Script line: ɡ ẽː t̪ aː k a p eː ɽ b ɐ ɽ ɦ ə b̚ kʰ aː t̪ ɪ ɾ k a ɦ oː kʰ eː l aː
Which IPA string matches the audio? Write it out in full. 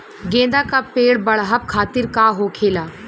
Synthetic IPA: ɡ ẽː d̪ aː k a p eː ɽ b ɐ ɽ ɦ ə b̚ kʰ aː t̪ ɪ ɾ k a ɦ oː kʰ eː l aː